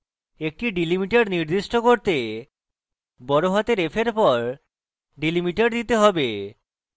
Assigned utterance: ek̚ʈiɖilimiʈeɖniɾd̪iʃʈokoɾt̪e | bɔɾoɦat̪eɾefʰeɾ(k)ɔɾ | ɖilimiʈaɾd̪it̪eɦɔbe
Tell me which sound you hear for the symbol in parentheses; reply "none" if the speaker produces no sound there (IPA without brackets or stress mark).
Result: p